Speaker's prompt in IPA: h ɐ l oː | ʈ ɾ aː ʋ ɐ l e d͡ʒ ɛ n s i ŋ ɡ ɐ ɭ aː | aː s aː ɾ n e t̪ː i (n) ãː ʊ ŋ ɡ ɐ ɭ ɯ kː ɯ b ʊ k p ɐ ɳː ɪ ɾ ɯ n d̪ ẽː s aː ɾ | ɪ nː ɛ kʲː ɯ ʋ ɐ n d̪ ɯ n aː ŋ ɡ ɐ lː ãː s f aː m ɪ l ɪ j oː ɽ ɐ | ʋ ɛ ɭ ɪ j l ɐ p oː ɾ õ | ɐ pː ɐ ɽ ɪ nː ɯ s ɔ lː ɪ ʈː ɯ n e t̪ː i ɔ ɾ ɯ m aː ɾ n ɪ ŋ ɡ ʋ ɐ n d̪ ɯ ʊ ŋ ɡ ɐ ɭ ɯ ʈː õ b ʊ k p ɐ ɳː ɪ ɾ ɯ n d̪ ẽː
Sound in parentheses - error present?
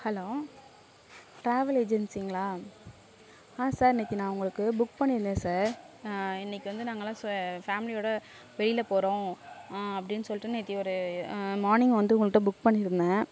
no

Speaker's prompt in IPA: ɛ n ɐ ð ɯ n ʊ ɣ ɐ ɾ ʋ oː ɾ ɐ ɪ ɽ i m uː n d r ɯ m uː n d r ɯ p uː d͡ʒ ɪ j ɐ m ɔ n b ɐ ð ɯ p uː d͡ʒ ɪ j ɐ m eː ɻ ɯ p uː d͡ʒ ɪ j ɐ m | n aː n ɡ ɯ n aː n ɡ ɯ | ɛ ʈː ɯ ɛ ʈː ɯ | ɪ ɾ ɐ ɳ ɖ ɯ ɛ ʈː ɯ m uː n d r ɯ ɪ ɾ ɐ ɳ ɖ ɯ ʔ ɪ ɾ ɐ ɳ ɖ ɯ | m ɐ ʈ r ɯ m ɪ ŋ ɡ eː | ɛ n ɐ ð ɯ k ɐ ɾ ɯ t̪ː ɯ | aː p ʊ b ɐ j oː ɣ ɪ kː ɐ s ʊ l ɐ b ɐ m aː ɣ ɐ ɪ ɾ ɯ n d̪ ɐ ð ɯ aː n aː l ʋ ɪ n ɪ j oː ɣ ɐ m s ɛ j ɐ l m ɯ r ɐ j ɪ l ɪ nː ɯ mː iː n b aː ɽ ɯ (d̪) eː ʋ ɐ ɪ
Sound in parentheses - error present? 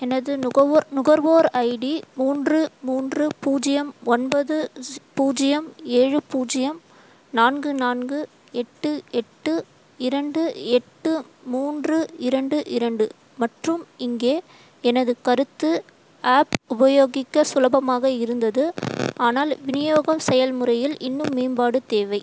yes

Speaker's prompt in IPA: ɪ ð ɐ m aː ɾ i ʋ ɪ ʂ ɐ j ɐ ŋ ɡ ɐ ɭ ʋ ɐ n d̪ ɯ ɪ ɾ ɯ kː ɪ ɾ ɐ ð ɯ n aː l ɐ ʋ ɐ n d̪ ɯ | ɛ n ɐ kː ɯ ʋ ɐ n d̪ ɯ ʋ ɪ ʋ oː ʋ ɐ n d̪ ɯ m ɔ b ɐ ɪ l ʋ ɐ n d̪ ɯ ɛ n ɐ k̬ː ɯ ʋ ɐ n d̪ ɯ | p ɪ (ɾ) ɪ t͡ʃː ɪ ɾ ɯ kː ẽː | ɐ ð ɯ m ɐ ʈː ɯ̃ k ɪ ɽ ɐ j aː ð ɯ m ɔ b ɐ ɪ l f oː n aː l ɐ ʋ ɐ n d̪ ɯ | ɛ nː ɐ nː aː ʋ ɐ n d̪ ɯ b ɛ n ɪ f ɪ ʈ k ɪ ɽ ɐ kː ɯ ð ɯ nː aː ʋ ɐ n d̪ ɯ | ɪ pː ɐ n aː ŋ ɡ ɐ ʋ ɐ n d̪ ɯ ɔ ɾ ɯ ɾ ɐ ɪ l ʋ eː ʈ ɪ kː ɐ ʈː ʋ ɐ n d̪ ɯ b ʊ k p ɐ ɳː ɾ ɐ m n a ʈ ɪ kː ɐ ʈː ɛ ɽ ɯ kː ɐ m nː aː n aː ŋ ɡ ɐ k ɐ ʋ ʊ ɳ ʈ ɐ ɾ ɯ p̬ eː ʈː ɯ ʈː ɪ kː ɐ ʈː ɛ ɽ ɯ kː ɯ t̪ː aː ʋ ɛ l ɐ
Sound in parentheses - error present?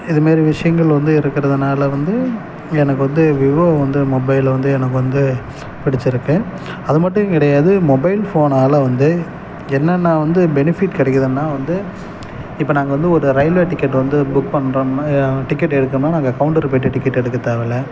yes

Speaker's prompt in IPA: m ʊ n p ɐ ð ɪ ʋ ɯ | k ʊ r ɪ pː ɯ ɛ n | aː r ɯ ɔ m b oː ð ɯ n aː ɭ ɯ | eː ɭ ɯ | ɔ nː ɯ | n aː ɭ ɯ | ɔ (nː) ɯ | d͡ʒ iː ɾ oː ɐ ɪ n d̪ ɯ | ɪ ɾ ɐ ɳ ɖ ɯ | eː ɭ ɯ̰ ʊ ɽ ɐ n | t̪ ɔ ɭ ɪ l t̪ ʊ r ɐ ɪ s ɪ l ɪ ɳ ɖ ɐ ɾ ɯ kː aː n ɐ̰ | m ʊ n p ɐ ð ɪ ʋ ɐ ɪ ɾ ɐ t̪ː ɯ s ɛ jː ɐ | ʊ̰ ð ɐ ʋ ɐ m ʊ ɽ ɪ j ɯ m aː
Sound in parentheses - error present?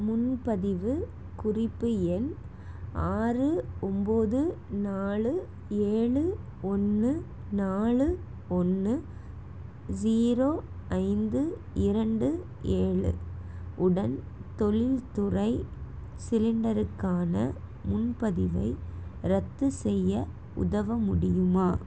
no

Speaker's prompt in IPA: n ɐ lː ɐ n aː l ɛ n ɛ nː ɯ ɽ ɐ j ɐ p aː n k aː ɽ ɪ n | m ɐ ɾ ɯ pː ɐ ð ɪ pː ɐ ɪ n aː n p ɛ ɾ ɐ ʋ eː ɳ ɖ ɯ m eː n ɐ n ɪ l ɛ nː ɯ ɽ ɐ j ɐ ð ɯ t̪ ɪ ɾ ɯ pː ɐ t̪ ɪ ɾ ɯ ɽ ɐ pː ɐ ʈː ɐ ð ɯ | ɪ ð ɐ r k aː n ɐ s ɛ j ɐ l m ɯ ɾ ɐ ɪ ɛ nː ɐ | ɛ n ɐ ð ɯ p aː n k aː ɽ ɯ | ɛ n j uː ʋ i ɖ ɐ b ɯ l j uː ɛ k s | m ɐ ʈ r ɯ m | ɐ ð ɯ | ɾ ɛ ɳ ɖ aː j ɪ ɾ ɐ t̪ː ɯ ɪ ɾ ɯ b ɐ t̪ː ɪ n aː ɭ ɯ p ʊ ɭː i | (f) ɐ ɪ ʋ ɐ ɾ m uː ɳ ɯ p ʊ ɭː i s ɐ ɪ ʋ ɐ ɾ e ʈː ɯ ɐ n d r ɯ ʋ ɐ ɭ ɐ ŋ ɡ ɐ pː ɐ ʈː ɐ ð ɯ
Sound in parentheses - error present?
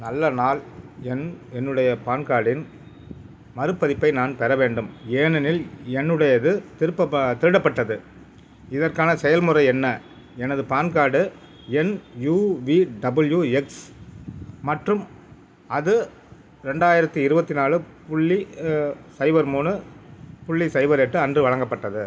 yes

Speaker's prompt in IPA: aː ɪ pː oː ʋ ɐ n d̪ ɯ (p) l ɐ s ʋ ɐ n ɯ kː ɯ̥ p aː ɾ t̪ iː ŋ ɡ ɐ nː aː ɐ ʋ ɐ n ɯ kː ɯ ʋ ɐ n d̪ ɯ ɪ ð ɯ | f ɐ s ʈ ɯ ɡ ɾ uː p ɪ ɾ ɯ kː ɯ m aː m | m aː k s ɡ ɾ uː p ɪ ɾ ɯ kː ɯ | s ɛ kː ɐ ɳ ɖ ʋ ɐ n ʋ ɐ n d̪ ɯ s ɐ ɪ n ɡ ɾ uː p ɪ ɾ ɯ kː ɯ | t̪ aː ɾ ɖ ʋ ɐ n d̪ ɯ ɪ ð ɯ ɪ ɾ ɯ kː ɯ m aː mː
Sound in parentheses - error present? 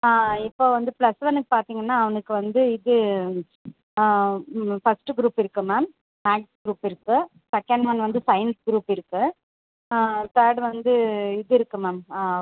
no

